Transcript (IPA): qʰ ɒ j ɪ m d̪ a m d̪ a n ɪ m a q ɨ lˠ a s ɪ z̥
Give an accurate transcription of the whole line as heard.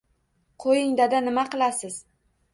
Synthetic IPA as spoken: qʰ o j ɪ ŋ d̪ a d̪ a n ɪ m a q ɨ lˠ a s ɪ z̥